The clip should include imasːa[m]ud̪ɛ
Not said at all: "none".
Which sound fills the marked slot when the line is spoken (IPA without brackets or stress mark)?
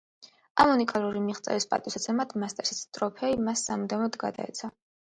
m